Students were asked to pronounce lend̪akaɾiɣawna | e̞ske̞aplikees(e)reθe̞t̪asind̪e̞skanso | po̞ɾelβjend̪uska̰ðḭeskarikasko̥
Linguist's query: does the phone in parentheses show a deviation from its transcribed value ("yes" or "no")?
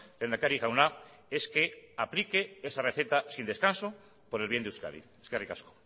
yes